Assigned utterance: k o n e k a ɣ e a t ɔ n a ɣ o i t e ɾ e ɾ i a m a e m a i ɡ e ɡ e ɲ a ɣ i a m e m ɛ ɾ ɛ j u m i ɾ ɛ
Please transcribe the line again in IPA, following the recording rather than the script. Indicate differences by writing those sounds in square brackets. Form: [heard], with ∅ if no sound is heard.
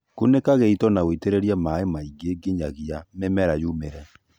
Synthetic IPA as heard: k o n e k a ɣ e [i] t ɔ n a ɣ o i t e ɾ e ɾ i a m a e m a i ɡ e ɡ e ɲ a ɣ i a m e m ɛ ɾ [a] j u m [e] ɾ ɛ